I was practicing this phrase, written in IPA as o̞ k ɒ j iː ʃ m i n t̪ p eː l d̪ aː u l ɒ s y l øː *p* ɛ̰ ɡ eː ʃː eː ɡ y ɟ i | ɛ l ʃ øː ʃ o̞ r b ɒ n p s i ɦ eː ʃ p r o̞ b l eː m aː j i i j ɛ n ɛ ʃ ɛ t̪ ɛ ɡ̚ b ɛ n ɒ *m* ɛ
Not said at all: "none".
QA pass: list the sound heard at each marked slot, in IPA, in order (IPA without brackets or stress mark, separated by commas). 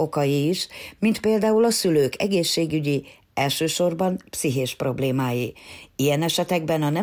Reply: k, n